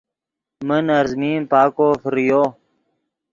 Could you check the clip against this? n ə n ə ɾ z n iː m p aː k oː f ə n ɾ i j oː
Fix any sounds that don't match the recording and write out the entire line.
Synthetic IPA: m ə n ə ɾ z m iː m p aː k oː f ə ɾ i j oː